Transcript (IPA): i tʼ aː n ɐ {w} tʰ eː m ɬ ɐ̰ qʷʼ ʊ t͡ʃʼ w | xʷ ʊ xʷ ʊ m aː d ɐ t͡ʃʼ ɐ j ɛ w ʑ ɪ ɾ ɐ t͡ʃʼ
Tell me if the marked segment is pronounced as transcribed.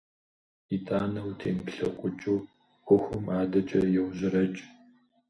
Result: yes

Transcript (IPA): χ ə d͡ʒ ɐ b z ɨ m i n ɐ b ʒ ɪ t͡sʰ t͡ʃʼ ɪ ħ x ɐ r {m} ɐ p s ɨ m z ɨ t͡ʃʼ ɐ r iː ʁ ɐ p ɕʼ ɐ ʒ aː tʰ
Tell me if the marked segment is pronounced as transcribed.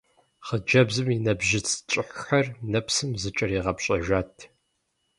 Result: no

